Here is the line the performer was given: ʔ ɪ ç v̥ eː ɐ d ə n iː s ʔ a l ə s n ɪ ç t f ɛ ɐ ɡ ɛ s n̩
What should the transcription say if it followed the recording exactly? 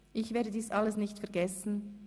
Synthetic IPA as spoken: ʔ ɪ ç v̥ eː ɐ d ə d iː s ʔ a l ə s n ɪ ç t f ɛ ɐ ɡ ɛ s n̩